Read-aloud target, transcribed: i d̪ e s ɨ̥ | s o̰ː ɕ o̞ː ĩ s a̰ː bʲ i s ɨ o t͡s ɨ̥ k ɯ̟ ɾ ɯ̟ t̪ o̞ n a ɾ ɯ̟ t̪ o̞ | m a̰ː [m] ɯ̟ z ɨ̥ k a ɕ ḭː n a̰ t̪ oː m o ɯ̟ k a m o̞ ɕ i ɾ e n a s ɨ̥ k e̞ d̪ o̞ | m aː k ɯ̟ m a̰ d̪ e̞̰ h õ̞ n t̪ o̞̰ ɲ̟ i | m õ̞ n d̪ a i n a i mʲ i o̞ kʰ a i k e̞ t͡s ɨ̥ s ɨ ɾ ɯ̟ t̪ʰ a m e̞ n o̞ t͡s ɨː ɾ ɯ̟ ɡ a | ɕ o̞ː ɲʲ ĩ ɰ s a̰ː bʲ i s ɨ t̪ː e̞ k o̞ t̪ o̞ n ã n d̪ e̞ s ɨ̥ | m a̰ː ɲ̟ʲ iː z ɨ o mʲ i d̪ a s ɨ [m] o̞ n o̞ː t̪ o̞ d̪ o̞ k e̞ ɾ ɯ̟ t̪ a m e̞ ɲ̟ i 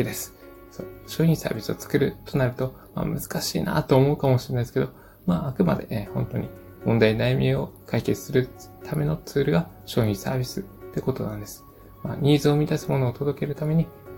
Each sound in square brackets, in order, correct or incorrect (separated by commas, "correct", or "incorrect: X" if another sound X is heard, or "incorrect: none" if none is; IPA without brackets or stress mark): correct, correct